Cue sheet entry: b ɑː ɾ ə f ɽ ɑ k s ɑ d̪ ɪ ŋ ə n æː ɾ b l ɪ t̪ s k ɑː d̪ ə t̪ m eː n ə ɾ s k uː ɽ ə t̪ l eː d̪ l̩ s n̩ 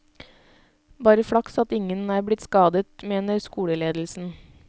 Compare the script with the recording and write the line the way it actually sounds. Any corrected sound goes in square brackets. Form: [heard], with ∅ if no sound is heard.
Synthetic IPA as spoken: b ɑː ɾ ə f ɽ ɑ k s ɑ [t̪] ɪ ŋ ə n æː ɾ b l ɪ t̪ s k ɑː d̪ ə t̪ m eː n ə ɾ s k uː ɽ ə [∅] l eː d̪ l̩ s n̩